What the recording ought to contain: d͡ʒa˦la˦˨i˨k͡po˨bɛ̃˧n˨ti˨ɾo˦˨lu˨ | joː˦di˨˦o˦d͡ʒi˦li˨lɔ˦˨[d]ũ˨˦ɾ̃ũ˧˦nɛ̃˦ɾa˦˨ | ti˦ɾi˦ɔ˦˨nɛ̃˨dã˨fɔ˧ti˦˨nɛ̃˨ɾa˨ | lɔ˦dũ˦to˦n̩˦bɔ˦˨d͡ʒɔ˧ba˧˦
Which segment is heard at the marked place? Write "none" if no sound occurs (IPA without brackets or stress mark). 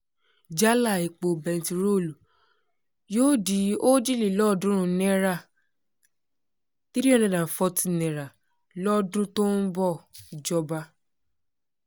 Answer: d